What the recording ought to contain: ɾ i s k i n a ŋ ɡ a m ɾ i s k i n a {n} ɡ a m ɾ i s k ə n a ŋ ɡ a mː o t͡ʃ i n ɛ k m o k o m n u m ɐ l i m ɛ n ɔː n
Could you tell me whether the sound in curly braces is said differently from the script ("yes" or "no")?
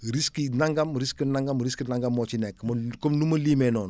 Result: yes